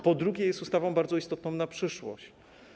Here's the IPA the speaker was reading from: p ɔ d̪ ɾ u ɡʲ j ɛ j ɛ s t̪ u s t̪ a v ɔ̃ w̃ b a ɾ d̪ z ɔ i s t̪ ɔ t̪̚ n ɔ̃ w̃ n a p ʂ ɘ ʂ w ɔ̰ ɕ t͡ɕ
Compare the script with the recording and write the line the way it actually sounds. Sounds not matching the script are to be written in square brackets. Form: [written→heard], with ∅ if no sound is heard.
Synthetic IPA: p ɔ d̪ ɾ u ɡʲ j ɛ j ɛ s t̪ u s t̪ a v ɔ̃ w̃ b a ɾ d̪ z ɔ i s t̪ ɔ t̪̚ n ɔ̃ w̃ n a p ʂ ɘ ʂ w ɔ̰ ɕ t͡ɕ